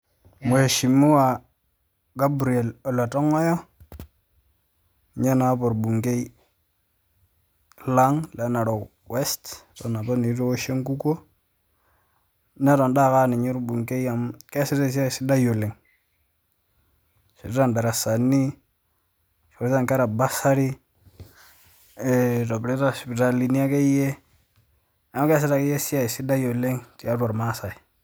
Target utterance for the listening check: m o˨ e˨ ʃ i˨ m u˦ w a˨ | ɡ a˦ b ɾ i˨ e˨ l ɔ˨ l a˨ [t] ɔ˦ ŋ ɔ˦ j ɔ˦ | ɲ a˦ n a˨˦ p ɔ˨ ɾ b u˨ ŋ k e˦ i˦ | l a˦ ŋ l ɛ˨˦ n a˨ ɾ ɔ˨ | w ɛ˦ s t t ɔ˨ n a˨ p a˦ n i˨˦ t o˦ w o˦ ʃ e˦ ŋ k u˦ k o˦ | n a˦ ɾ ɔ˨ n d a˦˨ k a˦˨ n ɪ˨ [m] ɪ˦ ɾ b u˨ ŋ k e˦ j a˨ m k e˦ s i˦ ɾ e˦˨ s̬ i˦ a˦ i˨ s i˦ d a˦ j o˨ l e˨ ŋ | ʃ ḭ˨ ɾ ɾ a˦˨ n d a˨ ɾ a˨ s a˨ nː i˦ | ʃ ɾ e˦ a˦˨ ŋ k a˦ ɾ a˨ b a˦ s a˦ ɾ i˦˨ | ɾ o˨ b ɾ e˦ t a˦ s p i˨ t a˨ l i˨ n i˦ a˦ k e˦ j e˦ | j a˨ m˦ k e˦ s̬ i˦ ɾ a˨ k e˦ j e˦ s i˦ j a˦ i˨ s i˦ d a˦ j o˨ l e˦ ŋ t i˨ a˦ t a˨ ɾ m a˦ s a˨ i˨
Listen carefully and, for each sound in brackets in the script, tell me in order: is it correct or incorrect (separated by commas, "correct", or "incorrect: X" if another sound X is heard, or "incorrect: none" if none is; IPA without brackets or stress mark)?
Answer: correct, incorrect: ɲ